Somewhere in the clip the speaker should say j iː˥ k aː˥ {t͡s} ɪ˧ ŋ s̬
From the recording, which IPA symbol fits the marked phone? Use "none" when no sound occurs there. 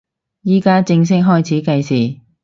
t͡s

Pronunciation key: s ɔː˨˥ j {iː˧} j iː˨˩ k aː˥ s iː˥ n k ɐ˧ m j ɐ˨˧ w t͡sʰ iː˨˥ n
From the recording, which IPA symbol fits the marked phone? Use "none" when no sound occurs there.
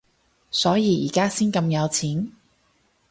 iː˧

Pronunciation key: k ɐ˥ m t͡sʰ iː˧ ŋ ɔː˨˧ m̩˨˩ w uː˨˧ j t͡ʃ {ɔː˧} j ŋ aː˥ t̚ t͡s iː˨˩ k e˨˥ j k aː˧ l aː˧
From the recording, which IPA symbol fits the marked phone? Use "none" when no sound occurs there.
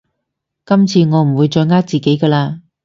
ɔː˧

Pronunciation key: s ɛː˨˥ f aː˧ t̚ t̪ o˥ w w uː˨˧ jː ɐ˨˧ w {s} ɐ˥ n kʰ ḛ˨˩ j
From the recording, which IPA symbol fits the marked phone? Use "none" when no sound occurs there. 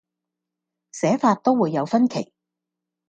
f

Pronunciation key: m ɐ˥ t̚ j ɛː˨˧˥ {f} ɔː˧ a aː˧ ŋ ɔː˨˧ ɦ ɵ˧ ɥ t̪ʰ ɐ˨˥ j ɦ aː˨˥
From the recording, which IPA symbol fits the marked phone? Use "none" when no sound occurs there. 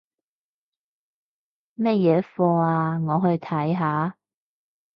f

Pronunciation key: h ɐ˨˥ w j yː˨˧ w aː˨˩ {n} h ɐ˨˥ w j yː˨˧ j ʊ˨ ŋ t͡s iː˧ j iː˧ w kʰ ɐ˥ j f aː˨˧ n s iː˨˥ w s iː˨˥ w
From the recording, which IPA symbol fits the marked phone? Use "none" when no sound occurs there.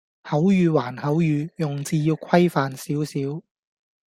n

